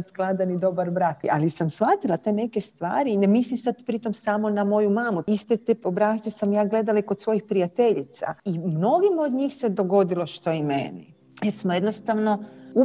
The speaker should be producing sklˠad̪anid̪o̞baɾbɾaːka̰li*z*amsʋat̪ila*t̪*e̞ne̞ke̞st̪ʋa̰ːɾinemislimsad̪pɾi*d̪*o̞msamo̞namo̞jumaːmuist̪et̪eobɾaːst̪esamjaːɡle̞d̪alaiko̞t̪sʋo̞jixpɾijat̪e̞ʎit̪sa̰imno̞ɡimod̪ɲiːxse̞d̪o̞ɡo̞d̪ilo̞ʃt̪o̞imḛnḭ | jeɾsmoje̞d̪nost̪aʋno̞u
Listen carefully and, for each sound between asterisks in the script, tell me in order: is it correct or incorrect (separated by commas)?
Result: incorrect, correct, incorrect